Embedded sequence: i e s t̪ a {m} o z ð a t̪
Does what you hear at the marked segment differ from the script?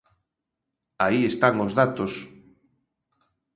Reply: yes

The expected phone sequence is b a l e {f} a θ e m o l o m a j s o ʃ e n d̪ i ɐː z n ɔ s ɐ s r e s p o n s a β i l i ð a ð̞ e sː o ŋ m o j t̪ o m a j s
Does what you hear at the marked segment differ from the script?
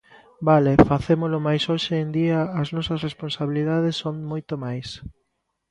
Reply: no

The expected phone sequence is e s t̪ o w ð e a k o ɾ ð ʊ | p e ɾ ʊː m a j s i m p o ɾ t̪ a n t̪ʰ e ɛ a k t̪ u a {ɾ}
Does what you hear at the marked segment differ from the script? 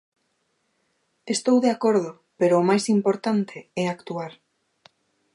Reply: no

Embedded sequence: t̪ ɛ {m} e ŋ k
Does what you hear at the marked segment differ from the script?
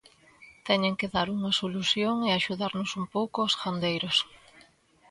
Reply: yes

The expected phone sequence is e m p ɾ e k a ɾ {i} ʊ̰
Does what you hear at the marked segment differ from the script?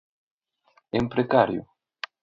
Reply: yes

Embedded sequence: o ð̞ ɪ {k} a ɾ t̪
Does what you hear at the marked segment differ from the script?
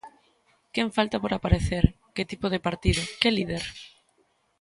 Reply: yes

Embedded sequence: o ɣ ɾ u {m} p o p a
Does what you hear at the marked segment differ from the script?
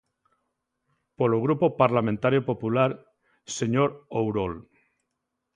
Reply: yes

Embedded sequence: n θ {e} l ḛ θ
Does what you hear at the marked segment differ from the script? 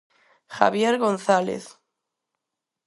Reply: yes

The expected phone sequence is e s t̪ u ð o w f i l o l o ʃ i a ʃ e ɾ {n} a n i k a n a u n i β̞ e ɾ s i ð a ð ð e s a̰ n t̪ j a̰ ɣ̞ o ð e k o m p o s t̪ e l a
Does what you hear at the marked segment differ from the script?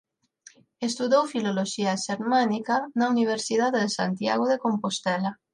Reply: yes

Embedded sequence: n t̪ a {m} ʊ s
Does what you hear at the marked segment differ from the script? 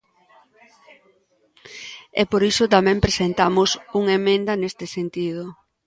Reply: no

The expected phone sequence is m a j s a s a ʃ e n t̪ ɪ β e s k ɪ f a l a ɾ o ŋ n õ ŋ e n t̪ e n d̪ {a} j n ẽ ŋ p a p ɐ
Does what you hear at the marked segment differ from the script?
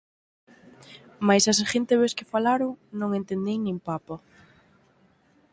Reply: yes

